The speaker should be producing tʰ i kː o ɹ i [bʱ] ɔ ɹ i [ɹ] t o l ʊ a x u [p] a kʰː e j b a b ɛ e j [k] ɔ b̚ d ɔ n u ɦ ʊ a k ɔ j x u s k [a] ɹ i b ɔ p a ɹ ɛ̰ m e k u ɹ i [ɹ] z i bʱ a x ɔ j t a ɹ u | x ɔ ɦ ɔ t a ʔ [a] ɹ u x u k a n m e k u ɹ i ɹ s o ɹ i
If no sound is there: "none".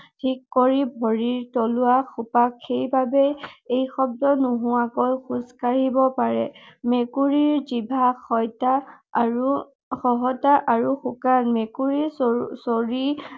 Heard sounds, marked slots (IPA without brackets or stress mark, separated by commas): bʱ, ɹ, p, x, a, ɹ, a